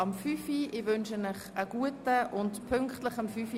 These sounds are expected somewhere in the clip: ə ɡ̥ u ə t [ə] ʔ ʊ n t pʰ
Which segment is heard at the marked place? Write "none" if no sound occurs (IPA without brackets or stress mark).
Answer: ə